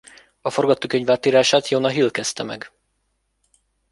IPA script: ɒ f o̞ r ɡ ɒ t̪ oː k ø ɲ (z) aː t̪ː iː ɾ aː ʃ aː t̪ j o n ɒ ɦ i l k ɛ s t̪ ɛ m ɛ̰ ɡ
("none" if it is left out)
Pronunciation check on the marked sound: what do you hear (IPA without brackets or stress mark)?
v